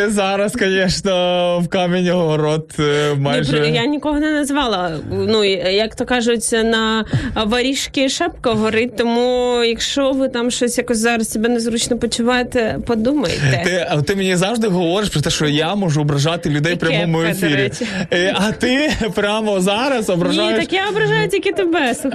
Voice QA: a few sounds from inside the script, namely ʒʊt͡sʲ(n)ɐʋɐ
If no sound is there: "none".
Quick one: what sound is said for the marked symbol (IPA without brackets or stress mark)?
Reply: n